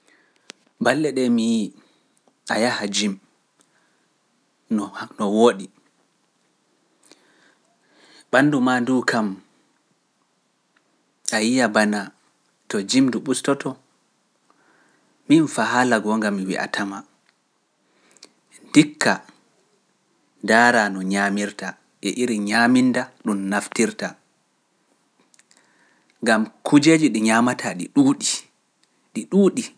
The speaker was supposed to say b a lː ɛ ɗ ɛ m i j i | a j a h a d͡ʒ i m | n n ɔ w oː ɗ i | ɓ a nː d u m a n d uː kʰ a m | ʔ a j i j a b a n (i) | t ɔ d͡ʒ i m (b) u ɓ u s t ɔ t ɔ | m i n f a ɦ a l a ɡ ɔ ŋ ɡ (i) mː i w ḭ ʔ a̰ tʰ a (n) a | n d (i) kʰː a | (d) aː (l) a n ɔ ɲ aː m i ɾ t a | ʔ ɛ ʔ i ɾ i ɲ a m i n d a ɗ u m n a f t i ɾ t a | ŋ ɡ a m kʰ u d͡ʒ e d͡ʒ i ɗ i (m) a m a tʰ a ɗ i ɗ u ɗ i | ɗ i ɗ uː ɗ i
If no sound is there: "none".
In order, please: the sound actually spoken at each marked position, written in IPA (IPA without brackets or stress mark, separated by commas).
a, d, a, m, i, d, ɾ, ɲ